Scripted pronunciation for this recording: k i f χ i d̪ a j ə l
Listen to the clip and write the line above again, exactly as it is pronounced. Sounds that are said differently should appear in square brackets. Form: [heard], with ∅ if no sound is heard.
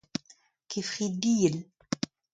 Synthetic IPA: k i f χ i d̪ [i] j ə l